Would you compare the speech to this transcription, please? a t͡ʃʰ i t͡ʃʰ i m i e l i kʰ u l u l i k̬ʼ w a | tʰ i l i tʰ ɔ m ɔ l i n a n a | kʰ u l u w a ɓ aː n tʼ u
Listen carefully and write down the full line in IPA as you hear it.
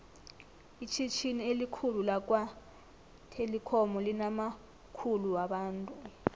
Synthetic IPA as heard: i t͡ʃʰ i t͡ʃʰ i n i e l i kʰ u l u l a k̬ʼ w a | tʰ e l i kʰ ɔ m ɔ l i n a m a | kʰ u l u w a ɓ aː n tʼ u